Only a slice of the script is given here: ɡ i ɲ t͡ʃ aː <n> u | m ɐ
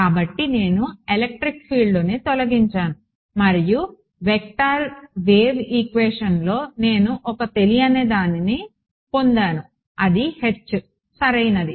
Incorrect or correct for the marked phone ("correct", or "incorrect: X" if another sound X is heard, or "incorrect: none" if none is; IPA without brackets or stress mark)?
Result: correct